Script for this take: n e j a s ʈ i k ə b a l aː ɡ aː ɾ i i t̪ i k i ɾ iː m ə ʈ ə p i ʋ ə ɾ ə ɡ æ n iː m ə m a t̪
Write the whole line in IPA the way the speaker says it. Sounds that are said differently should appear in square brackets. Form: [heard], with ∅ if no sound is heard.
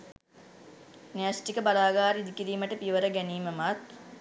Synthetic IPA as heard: n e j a s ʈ i k ə b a l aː ɡ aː ɾ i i [d̪] i k i ɾ iː m ə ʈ ə p i ʋ ə ɾ ə ɡ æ n iː m ə m a t̪